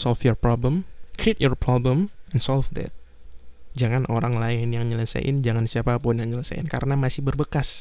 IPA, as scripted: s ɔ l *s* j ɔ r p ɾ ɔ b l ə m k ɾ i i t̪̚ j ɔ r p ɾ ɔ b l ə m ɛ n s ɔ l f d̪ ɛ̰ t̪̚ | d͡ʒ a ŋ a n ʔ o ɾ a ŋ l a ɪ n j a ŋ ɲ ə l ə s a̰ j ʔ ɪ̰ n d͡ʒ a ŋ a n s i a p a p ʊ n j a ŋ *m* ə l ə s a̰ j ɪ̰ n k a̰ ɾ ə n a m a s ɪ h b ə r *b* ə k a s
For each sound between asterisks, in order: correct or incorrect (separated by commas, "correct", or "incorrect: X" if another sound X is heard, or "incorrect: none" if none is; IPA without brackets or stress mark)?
incorrect: f, incorrect: ɲ, correct